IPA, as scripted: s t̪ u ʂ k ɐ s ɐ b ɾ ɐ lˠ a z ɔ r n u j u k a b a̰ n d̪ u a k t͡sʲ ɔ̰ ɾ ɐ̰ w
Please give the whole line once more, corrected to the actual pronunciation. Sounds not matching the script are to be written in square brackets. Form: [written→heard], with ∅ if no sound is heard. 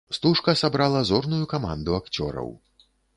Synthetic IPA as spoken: s t̪ u ʂ k ɐ s [ɐ→a] b ɾ [ɐ→a] lˠ [a→ɐ] z ɔ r n u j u k a [b→m] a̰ n d̪ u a k t͡sʲ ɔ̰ ɾ ɐ̰ w